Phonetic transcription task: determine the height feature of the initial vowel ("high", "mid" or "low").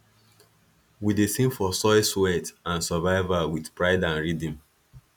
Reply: high